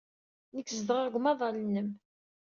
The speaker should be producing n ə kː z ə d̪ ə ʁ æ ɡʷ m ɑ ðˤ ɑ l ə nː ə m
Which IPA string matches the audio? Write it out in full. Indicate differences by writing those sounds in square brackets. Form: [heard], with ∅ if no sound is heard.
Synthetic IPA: n ə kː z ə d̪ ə ʁ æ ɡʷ m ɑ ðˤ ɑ l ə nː ə m

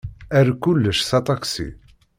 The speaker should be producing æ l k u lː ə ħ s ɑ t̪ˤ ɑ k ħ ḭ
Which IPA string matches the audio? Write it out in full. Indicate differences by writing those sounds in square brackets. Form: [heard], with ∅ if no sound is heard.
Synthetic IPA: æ [ɾ] k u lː ə [ʃ] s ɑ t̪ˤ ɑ k [s] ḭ

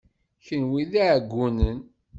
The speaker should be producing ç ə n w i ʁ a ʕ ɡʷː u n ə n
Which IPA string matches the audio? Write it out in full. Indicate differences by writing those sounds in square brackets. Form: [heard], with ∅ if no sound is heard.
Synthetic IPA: ç ə n w i [ð] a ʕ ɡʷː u n ə n

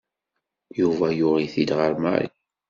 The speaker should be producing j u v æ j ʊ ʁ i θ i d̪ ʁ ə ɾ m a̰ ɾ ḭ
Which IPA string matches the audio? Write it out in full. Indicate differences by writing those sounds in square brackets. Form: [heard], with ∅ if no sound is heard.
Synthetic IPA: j u v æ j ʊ ʁ i θ i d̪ ʁ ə ɾ m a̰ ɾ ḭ

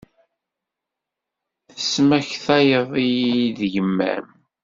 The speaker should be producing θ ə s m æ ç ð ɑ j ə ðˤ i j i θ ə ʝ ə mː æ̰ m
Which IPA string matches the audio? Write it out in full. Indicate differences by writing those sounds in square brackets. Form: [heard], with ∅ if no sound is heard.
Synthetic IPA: θ ə s m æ ç [θ] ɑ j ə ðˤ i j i [ð] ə ʝ ə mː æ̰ m

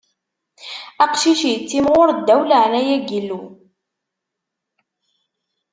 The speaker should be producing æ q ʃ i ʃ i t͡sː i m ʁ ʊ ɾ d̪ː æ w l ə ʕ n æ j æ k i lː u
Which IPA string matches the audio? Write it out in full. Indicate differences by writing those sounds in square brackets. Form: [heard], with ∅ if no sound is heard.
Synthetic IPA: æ q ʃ i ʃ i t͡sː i m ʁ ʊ ɾ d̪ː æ w l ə ʕ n æ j æ [ɡ] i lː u

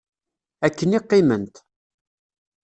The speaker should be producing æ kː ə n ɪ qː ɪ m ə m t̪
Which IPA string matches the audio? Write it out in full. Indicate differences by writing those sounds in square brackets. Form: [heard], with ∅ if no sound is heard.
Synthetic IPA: æ kː ə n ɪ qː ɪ m ə [n] t̪

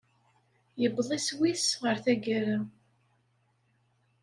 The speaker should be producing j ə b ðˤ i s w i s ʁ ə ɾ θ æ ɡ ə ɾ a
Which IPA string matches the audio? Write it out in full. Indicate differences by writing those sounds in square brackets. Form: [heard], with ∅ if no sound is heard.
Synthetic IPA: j ə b ðˤ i s w i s ʁ ə ɾ θ æ ɡ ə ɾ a

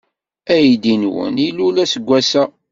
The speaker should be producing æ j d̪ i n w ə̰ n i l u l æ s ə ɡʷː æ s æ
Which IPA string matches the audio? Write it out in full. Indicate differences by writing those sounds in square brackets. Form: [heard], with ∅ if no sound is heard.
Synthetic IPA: æ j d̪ i n w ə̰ n i l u l æ s ə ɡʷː æ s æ

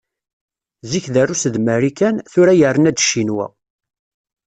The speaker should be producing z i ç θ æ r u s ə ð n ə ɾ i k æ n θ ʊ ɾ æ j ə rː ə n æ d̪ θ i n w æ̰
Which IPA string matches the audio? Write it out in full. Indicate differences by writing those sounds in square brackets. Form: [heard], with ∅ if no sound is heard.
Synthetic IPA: z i ç [ð] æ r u s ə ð [m] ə ɾ i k æ n θ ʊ ɾ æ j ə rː ə n æ d̪ [ʃ] i n w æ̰

